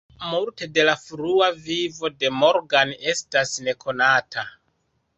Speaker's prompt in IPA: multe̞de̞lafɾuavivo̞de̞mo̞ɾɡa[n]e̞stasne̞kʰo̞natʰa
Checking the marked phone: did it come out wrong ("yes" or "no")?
no